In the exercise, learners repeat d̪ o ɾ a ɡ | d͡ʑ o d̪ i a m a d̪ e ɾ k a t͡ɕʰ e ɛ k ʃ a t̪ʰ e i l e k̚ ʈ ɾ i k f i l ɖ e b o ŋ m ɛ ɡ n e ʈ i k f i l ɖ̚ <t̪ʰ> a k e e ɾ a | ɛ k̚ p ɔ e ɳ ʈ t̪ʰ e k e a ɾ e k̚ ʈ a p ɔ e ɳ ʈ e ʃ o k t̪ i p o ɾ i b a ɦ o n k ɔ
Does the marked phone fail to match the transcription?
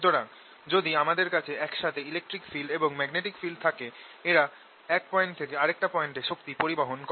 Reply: no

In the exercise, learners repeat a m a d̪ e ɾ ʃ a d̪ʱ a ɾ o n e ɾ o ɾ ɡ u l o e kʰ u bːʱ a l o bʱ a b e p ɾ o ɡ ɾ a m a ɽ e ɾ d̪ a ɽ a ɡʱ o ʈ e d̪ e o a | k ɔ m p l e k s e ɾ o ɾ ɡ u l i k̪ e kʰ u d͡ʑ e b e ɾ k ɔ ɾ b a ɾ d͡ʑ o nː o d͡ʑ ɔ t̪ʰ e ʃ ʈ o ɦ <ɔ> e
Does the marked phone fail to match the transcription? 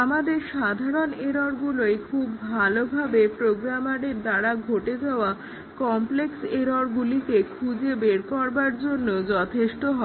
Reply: no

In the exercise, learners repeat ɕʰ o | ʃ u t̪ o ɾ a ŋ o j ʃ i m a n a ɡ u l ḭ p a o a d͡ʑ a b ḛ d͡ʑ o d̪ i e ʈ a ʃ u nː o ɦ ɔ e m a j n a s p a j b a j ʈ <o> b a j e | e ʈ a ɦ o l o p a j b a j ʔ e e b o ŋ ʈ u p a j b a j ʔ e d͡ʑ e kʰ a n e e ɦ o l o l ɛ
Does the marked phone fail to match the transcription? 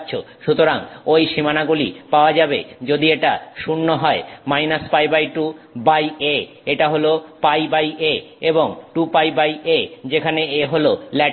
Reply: yes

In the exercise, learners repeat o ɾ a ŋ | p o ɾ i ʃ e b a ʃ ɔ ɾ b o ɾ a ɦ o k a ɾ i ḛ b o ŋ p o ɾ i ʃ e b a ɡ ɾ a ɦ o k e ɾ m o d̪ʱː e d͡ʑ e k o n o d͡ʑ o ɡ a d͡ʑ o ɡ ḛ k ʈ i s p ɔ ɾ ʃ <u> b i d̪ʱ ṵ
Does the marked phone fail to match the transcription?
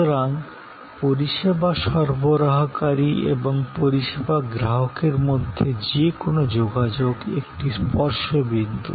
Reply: yes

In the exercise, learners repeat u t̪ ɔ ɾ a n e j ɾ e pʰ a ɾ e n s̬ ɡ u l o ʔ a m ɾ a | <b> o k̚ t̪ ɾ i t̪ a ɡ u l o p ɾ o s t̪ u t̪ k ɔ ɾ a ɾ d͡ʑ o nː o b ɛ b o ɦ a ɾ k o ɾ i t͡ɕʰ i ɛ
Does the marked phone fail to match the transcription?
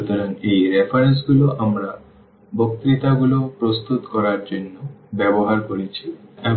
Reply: no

